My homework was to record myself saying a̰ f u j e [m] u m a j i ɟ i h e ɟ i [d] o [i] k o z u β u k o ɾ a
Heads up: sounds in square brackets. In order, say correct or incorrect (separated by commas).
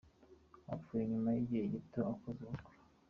incorrect, incorrect, incorrect